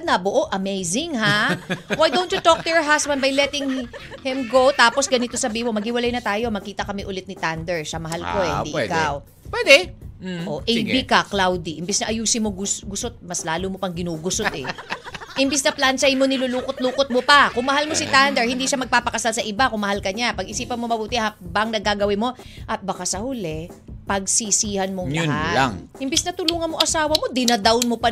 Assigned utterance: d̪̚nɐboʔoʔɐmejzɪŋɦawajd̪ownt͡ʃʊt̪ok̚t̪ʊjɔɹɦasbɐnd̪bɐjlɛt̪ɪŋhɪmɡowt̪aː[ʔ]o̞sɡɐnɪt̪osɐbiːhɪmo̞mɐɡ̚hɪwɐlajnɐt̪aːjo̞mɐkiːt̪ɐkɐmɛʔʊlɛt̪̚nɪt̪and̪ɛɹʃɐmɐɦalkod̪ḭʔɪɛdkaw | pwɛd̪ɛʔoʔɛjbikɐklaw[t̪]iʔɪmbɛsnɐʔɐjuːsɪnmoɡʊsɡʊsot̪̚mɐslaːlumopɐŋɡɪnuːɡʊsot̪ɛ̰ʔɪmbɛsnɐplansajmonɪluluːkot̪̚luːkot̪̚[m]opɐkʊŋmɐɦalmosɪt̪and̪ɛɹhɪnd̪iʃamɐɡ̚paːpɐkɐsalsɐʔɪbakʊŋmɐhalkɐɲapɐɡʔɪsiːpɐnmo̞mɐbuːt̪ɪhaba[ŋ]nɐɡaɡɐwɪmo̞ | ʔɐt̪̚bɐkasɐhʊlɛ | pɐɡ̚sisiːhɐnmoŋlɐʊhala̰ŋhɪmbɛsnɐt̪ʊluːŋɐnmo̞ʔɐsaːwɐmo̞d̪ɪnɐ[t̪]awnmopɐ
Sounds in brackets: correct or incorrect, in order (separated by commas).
incorrect, incorrect, correct, correct, incorrect